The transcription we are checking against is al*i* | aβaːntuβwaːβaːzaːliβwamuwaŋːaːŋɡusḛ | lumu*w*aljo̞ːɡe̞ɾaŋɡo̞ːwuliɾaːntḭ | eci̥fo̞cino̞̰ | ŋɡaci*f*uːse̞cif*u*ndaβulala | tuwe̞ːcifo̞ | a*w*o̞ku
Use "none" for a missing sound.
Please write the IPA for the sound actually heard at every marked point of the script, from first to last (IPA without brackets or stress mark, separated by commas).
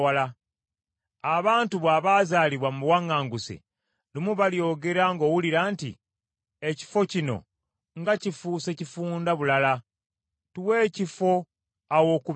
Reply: a, β, f, uː, w